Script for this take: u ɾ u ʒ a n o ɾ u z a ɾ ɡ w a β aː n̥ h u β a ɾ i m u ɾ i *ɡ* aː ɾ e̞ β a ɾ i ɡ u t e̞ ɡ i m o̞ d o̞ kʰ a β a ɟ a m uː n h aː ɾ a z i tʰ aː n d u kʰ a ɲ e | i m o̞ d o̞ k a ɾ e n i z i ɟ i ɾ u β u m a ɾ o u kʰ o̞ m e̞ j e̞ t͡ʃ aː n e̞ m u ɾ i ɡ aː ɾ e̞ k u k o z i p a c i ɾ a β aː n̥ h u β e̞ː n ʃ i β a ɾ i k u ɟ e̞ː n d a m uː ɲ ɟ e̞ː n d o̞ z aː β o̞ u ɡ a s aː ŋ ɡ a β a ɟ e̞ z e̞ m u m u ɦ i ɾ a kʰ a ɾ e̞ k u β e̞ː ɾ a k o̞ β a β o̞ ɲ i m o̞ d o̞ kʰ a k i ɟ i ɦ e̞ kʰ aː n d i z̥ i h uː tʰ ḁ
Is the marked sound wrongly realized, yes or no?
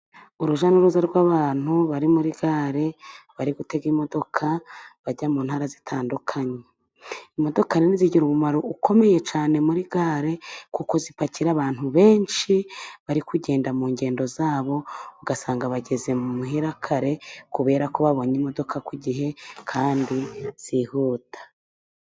no